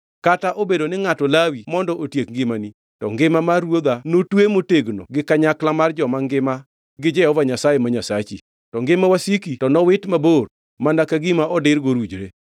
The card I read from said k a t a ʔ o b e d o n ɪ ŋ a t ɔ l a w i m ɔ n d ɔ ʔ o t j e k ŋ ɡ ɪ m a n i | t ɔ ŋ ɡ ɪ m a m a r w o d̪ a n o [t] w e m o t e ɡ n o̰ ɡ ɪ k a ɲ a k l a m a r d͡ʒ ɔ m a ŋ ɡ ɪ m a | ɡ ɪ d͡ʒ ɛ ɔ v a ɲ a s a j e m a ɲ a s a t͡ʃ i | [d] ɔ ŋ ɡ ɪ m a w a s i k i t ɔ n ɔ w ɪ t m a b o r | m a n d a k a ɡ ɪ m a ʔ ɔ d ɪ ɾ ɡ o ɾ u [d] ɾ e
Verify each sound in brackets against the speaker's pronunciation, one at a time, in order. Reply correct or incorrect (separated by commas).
correct, incorrect, incorrect